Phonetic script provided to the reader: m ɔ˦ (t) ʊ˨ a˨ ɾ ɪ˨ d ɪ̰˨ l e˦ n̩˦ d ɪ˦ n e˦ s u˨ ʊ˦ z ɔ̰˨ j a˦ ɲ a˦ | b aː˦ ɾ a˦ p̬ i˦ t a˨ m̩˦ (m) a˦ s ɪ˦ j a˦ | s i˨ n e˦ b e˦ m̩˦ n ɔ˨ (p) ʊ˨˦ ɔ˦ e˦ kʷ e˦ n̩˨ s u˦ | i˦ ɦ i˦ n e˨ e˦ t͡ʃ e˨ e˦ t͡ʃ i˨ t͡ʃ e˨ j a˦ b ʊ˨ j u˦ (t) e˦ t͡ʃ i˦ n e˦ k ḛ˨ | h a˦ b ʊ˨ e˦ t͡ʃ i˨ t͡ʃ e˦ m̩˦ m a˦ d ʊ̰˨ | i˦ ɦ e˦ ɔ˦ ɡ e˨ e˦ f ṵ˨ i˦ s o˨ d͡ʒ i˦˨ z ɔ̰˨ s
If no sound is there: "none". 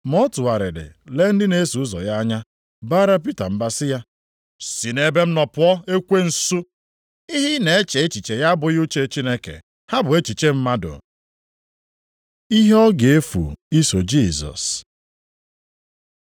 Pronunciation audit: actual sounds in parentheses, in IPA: t, b, p, t͡ʃ

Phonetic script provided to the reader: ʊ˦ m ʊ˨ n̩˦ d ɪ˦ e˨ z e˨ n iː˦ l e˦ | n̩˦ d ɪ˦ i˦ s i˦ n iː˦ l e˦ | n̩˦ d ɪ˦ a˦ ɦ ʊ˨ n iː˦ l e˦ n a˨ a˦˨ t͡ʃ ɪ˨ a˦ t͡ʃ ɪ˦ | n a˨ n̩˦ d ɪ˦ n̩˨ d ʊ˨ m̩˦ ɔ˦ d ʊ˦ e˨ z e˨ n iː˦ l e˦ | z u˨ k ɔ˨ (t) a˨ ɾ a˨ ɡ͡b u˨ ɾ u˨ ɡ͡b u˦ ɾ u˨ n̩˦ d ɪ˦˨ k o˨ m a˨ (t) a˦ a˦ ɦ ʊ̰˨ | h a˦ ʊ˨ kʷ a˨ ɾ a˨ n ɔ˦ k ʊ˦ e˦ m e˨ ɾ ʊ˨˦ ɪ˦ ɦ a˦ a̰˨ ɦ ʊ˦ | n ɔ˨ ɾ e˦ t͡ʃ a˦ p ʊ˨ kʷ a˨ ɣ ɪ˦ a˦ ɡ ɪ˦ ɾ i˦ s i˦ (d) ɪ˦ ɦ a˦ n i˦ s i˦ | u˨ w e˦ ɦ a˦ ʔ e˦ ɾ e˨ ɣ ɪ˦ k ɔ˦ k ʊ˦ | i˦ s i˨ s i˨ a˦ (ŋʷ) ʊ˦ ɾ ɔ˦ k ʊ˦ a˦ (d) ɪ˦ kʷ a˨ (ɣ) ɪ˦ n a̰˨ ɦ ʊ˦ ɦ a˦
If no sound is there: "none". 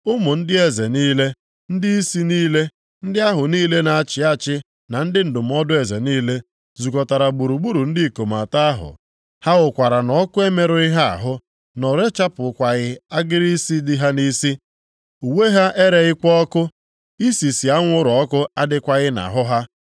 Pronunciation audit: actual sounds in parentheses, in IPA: t, t, d, ŋʷ, d, ɣ

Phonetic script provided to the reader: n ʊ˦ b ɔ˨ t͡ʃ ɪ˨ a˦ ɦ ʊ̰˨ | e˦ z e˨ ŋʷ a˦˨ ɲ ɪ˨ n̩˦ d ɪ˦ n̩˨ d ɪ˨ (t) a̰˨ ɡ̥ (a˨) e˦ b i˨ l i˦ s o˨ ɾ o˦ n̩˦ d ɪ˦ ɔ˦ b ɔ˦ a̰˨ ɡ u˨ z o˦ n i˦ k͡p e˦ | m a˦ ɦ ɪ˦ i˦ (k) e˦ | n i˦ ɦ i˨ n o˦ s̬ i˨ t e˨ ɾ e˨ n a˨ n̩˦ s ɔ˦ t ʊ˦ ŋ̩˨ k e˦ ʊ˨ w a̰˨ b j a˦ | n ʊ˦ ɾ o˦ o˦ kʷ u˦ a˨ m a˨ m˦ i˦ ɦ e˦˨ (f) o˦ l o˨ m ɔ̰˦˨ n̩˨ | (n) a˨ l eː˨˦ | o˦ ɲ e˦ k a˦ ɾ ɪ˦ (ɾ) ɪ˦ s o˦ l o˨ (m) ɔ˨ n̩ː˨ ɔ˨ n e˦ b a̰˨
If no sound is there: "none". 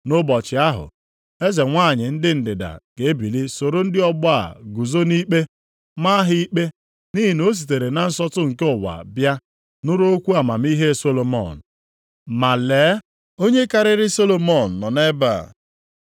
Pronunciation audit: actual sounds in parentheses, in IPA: d, e˨, k͡p, s, m, ɾ, m

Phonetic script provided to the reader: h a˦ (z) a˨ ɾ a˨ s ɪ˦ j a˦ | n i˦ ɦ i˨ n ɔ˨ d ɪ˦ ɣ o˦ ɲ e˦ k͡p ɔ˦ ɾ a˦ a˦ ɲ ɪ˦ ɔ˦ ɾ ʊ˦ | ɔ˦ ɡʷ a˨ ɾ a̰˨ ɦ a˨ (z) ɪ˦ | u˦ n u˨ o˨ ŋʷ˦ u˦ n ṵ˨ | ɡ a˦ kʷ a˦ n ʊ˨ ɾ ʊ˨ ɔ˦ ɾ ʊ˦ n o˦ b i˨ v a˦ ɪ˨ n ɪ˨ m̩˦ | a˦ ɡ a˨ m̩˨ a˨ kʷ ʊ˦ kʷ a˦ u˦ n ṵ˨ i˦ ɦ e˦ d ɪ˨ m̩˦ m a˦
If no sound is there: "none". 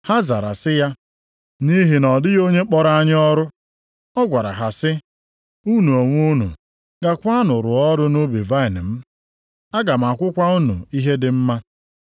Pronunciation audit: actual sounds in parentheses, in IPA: z, s

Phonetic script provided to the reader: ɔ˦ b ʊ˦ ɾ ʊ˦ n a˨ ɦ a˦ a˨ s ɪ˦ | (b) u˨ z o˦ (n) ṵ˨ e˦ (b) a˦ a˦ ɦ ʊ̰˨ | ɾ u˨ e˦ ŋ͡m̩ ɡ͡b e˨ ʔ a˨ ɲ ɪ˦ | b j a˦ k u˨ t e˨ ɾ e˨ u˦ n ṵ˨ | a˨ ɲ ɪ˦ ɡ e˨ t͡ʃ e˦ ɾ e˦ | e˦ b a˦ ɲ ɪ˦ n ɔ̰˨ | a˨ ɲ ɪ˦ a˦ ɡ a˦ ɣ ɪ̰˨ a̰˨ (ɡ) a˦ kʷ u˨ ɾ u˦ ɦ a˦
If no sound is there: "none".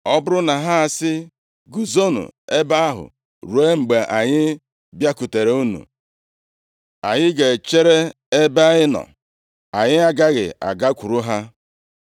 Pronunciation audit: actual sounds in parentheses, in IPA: ɡ, n, b, ɡ

